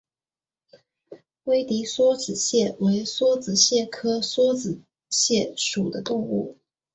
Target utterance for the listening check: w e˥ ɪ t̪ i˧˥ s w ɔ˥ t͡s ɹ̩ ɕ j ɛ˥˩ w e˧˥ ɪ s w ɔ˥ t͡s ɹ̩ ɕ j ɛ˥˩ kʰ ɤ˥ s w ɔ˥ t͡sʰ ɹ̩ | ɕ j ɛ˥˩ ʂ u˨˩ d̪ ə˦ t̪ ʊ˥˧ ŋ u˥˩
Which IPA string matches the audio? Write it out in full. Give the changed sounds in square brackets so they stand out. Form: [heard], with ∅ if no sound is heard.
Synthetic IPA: w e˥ ɪ t̪ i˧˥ s w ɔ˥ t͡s ɹ̩ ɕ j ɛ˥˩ w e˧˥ ɪ s w ɔ˥ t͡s ɹ̩ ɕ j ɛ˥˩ kʰ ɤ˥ s w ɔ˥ [t͡s] ɹ̩ | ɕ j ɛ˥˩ ʂ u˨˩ d̪ ə˦ t̪ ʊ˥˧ ŋ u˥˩